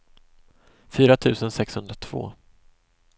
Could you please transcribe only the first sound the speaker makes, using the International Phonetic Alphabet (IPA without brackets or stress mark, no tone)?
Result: f